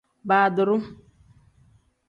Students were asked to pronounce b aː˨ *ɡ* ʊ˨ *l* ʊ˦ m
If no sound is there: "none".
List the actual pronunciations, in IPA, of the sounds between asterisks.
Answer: d, ɾ

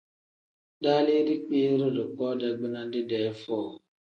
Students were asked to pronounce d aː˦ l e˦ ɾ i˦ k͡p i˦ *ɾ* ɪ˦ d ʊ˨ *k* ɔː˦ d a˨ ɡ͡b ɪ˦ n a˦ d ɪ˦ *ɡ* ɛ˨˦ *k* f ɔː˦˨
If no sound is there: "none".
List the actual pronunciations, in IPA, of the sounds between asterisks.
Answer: ɾ, k, d, none

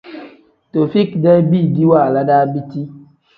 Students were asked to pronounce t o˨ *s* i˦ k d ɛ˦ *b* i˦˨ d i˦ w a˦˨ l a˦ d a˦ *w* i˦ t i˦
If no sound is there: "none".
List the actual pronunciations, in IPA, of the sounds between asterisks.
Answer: f, b, b

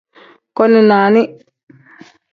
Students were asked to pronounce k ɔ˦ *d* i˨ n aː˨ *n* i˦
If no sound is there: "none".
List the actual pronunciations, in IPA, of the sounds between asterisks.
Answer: n, n

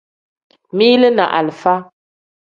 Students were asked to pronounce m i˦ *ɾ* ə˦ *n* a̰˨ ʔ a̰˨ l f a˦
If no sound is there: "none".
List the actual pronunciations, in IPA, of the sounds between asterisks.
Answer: l, n

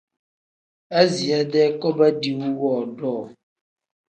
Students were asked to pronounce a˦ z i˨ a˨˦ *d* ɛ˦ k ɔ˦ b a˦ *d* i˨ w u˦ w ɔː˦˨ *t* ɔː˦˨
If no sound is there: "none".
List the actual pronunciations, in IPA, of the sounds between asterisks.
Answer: d, d, d

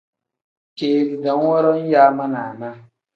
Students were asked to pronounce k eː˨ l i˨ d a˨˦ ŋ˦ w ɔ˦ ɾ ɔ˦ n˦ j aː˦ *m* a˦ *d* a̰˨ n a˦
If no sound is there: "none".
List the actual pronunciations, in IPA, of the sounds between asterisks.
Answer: m, n

